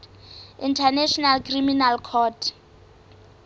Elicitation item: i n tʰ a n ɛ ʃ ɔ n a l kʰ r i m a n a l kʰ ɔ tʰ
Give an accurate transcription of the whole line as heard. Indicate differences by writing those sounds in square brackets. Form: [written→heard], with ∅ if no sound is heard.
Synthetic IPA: i n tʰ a n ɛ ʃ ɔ n a l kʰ r i m [a→i] n a l kʰ ɔ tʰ